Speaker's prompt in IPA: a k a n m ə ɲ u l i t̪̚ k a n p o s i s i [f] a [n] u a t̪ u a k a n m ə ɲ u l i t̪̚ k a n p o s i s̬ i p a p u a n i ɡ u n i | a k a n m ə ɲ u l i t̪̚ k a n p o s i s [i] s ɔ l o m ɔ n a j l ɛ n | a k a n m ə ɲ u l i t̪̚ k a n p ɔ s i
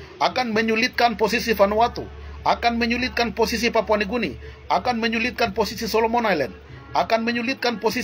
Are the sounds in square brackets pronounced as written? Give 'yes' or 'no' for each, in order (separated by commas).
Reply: yes, yes, yes